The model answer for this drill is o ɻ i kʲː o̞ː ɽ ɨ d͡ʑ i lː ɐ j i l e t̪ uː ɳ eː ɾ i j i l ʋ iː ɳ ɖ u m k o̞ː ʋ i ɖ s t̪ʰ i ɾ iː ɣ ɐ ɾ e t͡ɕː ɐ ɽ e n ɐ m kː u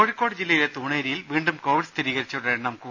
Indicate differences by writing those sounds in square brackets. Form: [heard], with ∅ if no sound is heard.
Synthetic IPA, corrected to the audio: o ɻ i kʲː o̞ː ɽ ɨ d͡ʑ i lː ɐ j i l e t̪ uː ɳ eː ɾ i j i l ʋ iː ɳ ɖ u m k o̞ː ʋ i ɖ s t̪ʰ i ɾ iː ɣ ɐ ɾ [i] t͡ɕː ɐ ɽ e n ɐ m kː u

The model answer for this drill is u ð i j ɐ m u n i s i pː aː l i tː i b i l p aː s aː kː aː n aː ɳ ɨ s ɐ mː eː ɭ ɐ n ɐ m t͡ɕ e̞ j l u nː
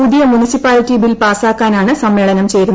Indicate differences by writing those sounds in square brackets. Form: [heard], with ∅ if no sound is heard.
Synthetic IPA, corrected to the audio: u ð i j ɐ m u n i s i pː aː l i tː i b i l p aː s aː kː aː n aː ɳ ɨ s ɐ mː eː ɭ ɐ n ɐ m t͡ɕ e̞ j [ɾ] u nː

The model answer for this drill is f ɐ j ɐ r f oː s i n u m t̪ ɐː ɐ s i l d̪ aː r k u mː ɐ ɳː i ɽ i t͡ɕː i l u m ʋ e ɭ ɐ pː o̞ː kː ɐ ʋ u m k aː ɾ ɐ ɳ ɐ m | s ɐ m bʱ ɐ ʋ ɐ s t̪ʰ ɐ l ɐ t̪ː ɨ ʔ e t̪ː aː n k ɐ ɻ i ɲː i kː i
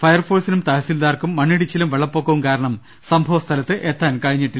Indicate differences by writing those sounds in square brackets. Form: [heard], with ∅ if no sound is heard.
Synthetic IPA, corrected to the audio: f ɐ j ɐ r f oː s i n u m t̪ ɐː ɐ s i l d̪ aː r k u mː ɐ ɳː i ɽ i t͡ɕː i l u m ʋ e ɭ ɐ pː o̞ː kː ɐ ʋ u m k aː ɾ ɐ ɳ ɐ m | s ɐ m bʱ ɐ ʋ ɐ s t̪ʰ ɐ l ɐ t̪ː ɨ ʔ e t̪ː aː n k ɐ ɻ i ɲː i [ʈː] i

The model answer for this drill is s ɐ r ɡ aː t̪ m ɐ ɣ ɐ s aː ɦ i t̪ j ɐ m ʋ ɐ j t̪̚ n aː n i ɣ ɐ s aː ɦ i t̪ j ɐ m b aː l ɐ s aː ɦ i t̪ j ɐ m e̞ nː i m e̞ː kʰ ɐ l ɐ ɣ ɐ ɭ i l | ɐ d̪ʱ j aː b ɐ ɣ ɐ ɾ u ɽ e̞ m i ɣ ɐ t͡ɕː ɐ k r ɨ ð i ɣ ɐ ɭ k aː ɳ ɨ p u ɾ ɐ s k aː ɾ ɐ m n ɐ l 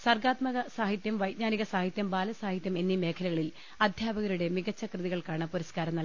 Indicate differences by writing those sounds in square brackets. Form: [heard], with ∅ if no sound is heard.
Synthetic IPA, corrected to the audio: s ɐ r ɡ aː t̪ m ɐ ɣ ɐ s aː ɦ i t̪ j ɐ m ʋ ɐ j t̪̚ [ɲ] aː n i ɣ ɐ s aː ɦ i t̪ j ɐ m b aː l ɐ s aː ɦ i t̪ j ɐ m e̞ nː i m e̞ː kʰ ɐ l ɐ ɣ ɐ ɭ i l | ɐ d̪ʱ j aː b ɐ ɣ ɐ ɾ u ɽ e̞ m i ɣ ɐ t͡ɕː ɐ k r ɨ ð i ɣ ɐ ɭ k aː ɳ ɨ p u ɾ ɐ s k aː ɾ ɐ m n ɐ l

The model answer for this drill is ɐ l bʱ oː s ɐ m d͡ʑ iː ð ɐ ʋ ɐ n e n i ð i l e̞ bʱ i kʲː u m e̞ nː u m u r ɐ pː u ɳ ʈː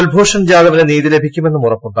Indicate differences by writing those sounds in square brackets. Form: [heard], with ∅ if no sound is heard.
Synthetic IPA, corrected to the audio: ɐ l bʱ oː [ʂ] ɐ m d͡ʑ [aː] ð ɐ ʋ ɐ n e n [iː] ð i l e̞ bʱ i kʲː u m e̞ nː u m u r ɐ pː u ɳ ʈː

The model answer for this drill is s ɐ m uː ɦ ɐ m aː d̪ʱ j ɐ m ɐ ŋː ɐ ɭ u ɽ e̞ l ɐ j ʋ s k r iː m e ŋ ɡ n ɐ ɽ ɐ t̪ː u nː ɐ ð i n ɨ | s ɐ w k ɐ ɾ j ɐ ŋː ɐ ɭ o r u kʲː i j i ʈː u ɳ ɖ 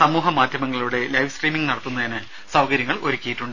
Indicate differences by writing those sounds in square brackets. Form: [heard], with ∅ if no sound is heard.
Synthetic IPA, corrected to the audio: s ɐ m uː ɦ ɐ m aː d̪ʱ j ɐ m ɐ ŋː ɐ ɭ u ɽ e̞ l ɐ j ʋ s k r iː m [i] ŋ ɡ n ɐ ɽ ɐ t̪ː u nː ɐ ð i n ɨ | s ɐ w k ɐ ɾ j ɐ ŋː ɐ ɭ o [ɾ] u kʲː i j i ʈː u ɳ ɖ

